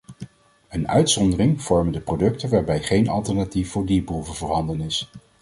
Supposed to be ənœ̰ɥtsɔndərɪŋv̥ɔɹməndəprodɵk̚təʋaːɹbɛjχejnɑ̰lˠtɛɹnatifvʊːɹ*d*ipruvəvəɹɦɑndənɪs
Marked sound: correct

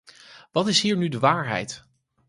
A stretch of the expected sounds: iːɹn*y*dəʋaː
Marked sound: correct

